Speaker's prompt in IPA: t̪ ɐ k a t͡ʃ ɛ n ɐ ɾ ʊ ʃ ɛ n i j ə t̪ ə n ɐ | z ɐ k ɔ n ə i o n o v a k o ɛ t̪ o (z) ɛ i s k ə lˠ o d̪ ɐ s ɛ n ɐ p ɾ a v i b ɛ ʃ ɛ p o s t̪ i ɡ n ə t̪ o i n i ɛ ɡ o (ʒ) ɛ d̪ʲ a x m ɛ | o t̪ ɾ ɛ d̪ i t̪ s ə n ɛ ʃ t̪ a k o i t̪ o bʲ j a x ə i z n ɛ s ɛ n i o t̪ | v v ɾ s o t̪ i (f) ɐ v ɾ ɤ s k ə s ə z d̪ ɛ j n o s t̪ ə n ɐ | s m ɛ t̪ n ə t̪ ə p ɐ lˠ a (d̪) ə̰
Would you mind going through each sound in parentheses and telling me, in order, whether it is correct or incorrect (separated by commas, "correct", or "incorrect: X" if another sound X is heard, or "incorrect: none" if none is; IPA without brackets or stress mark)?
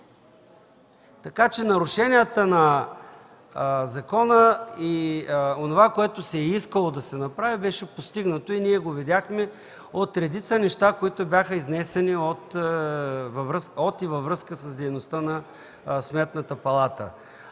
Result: incorrect: s, incorrect: v, incorrect: v, incorrect: t̪